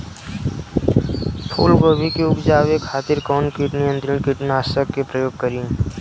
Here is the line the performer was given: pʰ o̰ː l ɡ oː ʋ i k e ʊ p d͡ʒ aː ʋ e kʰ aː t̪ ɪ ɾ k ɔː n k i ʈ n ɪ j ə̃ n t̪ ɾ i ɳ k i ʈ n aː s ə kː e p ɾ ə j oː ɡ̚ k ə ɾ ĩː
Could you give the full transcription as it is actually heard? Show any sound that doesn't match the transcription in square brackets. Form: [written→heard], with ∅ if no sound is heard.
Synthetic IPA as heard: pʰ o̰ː l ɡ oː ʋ i k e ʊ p d͡ʒ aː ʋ e kʰ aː t̪ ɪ ɾ k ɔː n k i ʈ n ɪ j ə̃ n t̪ ɾ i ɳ k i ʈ n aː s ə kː e p ɾ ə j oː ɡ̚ k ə ɾ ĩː